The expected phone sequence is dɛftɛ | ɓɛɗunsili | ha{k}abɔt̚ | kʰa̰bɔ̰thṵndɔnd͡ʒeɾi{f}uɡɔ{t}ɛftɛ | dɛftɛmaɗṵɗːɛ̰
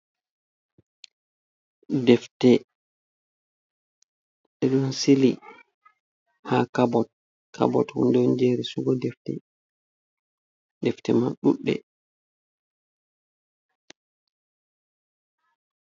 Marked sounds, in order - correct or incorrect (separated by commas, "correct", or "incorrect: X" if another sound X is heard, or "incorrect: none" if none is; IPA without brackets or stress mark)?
correct, incorrect: s, incorrect: d